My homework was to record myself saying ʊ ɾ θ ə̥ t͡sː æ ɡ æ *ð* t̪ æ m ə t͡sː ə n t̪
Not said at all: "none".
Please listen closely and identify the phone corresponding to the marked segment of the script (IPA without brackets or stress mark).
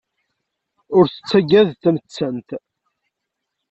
ð